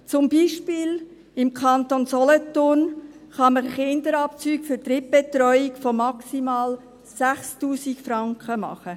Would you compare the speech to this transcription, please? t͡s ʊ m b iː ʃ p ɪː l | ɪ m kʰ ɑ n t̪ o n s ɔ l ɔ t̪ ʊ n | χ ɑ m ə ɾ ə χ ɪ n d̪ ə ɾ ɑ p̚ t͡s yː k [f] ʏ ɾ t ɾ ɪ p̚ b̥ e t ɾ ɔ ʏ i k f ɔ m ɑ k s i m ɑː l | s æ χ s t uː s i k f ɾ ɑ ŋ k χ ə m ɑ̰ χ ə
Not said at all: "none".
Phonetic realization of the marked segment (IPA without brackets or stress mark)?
f